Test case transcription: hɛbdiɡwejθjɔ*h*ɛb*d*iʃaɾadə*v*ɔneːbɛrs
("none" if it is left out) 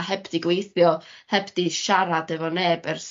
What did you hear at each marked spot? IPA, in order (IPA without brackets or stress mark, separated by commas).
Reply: h, d, v